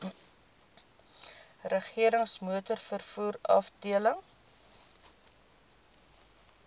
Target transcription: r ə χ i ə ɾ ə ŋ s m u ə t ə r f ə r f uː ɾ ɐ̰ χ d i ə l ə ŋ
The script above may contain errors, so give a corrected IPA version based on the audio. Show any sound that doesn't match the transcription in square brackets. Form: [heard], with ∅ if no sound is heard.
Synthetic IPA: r ə χ i ə ɾ ə ŋ s m u ə t ə r f ə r f uː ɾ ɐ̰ [f] d i ə l ə ŋ

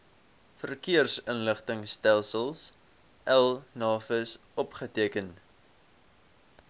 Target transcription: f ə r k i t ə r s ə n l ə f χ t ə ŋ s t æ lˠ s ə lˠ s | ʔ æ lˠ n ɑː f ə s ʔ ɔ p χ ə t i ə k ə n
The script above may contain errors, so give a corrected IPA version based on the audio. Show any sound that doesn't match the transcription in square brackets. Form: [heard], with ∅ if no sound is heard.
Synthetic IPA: f ə r k i [∅] ə r s ə n l ə [∅] χ t ə ŋ s t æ lˠ s ə lˠ s | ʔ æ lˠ n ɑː f ə s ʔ ɔ p χ ə t i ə k ə n

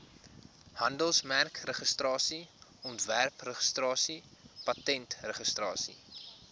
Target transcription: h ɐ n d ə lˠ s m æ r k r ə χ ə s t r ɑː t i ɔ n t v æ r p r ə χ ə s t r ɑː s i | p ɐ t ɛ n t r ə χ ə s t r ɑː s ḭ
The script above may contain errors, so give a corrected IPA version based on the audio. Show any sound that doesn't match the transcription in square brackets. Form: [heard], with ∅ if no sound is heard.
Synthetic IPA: h ɐ n d ə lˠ s m æ r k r ə χ ə s t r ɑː [s] i ɔ n t v æ r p r ə χ ə s t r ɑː s i | p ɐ t ɛ n t r ə χ ə s t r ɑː s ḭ

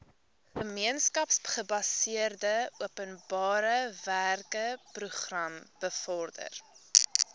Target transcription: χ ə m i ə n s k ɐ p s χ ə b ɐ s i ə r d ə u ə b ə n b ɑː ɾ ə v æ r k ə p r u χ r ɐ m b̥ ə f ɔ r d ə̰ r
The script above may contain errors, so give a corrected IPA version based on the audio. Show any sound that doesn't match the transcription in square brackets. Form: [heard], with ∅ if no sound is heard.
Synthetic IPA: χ ə m i ə n s k ɐ p s χ ə b ɐ s i ə r d ə u ə [p] ə n b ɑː ɾ ə v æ r k ə p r u χ r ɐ m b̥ ə f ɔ r d ə̰ r

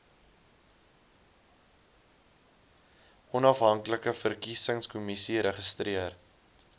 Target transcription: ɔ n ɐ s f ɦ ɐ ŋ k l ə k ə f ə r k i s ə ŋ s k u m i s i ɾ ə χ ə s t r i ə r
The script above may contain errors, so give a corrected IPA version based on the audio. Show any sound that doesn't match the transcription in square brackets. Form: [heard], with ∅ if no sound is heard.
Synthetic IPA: ɔ n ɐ [∅] f ɦ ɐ ŋ k l ə k ə f ə r k i s ə ŋ s k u m i s i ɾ ə χ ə s t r i ə r

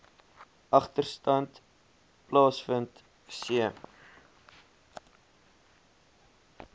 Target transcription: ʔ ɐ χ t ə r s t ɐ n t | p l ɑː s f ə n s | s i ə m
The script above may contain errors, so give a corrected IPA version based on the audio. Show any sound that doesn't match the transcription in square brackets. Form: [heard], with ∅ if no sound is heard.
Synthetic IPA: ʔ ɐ χ t ə r s t ɐ n t | p l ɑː s f ə n [t] | s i ə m

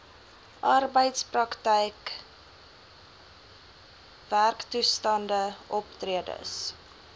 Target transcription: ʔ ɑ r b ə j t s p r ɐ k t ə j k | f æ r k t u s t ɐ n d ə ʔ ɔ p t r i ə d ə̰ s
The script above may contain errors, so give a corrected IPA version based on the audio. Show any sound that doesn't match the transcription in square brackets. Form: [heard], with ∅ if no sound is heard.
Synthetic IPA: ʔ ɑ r b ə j t s p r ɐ k t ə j k | [v] æ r k t u s t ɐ n d ə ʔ ɔ p t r i ə d ə̰ s

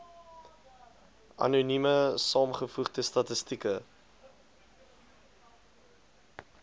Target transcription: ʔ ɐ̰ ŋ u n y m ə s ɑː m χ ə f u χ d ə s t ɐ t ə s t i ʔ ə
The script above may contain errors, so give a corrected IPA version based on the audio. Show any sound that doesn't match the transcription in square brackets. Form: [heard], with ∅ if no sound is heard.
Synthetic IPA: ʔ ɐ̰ [n] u n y m ə s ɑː m χ ə f u χ d ə s t ɐ t ə s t i [k] ə

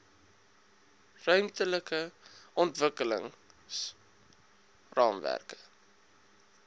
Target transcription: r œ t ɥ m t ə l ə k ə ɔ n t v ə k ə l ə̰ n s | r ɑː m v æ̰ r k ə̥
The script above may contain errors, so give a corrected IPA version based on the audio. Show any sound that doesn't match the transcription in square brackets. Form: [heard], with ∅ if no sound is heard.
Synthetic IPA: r œ [∅] ɥ m t ə l ə k ə ɔ n t v ə k ə l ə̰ [ŋ] s | r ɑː m v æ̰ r k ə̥

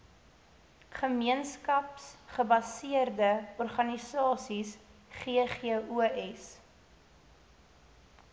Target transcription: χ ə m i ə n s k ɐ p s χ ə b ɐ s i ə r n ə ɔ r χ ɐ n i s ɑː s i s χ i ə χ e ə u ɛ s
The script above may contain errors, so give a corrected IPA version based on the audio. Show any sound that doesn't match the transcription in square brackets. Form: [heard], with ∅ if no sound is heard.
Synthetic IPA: χ ə m i ə n s k ɐ p s χ ə b ɐ s i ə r [d] ə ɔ r χ ɐ n i s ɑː s i s χ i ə χ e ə u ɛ s

